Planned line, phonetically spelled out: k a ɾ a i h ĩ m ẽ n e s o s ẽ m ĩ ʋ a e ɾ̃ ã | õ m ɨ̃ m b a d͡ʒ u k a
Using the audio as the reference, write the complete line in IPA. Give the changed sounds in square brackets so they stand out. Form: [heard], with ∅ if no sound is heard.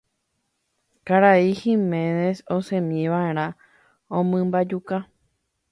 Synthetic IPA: k a ɾ a i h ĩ m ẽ n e s o s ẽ m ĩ ʋ a e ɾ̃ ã | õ m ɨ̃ m b a d͡ʒ u k a